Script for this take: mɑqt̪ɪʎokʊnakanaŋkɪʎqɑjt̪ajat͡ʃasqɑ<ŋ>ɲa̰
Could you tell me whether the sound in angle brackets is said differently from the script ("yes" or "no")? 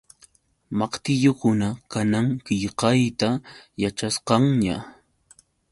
no